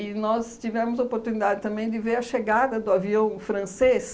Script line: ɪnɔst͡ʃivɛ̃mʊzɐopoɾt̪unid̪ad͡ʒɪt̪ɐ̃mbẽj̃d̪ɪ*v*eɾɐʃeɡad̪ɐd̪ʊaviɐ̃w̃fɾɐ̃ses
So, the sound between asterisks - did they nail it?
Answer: yes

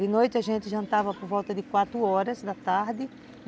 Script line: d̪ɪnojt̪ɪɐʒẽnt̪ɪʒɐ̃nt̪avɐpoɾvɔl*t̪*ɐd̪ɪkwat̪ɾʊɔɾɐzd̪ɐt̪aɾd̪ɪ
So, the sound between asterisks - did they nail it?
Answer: yes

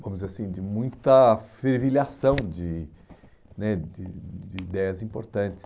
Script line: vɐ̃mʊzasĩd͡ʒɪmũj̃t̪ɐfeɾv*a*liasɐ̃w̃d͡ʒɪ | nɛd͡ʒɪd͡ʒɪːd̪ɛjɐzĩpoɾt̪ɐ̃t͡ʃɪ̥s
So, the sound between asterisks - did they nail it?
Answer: no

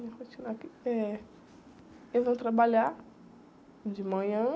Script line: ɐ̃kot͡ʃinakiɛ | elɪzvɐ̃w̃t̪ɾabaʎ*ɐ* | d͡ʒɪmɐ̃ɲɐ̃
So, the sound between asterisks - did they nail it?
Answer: no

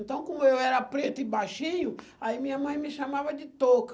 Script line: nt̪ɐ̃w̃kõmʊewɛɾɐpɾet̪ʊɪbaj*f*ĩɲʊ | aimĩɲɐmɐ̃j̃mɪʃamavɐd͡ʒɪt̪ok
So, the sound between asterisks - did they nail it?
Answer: no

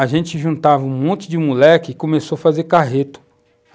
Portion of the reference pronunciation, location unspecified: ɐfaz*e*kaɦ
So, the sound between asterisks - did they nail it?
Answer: yes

